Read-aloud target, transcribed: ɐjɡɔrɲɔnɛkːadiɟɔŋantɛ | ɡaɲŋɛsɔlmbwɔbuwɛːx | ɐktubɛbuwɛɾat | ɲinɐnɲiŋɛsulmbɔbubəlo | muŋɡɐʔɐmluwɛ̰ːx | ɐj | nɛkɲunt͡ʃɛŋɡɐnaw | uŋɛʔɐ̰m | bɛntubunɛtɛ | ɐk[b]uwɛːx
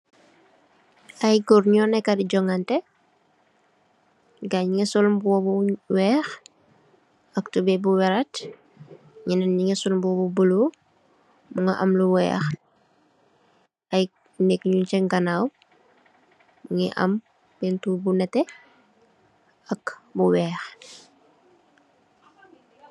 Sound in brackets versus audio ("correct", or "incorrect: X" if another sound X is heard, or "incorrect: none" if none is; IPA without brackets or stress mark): correct